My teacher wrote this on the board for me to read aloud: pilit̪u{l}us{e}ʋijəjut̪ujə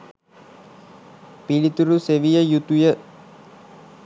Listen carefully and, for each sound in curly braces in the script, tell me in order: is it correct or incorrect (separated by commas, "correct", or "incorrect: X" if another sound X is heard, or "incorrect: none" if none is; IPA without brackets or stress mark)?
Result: incorrect: ɾ, correct